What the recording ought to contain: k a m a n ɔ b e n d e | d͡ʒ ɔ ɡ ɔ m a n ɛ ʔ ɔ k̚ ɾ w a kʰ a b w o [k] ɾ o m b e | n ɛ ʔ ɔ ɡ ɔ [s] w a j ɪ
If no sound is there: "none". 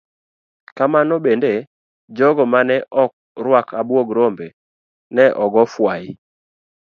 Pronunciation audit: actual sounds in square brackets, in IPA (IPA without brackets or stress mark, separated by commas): ɡ, f